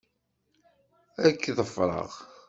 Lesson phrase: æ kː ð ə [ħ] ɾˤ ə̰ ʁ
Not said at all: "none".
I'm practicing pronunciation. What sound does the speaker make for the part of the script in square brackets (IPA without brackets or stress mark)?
f